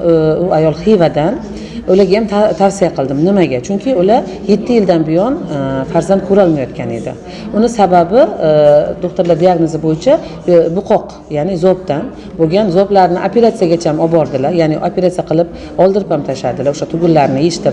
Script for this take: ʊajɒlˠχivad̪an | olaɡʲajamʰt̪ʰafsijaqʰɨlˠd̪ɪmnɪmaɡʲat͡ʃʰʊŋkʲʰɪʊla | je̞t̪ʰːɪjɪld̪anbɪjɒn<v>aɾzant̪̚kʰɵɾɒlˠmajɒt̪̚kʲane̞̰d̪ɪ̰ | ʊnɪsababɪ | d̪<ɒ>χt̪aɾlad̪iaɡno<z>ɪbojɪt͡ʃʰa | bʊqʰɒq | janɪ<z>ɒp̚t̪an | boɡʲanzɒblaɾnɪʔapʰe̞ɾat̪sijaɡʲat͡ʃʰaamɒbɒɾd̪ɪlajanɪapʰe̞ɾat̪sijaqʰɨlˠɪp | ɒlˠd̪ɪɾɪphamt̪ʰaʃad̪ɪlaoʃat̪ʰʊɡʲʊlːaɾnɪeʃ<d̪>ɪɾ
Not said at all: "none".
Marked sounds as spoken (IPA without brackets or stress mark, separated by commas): f, o, z, z, t̪